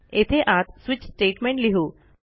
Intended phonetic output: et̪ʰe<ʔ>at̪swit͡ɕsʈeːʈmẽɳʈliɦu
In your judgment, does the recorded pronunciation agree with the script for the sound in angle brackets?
yes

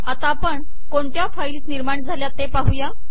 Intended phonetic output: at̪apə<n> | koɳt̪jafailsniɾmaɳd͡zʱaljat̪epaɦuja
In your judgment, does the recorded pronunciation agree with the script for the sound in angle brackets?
no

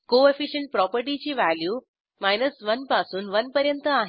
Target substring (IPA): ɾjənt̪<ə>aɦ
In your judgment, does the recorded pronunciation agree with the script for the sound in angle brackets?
yes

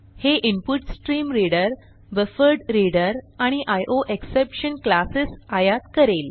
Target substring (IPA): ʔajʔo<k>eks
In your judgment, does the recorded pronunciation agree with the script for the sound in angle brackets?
no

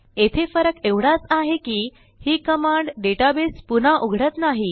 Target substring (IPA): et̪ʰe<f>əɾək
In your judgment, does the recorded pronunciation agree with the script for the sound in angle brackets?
yes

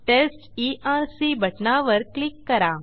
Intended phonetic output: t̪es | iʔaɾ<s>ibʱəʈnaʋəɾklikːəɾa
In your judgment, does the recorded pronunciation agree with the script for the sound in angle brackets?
yes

